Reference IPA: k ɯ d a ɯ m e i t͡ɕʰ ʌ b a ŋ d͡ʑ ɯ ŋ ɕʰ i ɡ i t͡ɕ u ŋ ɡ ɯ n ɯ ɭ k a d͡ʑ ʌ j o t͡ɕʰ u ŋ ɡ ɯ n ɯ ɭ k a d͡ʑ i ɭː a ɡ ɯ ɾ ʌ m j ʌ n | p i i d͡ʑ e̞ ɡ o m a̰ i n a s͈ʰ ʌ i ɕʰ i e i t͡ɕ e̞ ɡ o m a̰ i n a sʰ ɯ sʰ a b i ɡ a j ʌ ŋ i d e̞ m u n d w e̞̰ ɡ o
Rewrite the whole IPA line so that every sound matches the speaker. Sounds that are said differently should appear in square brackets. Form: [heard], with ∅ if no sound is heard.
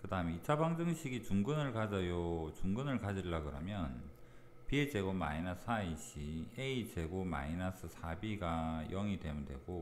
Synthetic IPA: k ɯ d a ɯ m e i t͡ɕʰ [a] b a ŋ d͡ʑ ɯ ŋ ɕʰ i ɡ i t͡ɕ u ŋ ɡ ɯ n ɯ ɭ k a d͡ʑ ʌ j o [t͡ɕ] u ŋ ɡ ɯ n ɯ ɭ k a d͡ʑ i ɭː a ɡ ɯ ɾ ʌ m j ʌ n | p i [e] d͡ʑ e̞ ɡ o m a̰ i n a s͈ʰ [a] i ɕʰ i e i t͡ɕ e̞ ɡ o m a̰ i n a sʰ ɯ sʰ a b i ɡ a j ʌ ŋ i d e̞ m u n d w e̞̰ ɡ o